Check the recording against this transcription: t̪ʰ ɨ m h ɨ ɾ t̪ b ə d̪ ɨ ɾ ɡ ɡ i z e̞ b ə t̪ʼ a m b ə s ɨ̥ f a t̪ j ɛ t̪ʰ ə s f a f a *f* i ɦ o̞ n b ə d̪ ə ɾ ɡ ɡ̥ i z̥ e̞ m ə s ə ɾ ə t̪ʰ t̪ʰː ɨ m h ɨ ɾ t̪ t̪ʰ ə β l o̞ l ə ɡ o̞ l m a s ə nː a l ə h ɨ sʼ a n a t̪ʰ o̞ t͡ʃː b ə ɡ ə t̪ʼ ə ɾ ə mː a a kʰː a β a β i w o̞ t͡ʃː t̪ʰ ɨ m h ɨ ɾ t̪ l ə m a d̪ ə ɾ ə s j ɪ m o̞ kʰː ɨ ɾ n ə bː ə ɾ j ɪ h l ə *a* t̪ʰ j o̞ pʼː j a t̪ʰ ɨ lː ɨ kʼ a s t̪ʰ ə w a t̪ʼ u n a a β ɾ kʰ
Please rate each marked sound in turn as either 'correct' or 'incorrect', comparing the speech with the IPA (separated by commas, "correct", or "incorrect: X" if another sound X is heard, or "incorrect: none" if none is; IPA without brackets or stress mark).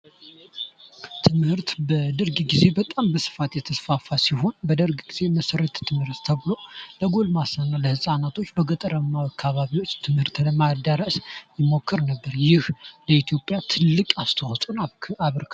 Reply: incorrect: s, incorrect: i